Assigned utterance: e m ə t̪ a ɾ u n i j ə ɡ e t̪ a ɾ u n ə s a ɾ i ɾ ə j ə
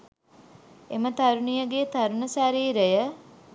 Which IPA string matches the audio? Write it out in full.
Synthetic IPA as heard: e m ə t̪ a ɾ u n i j ə ɡ e t̪ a ɾ u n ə s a ɾ iː ɾ ə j ə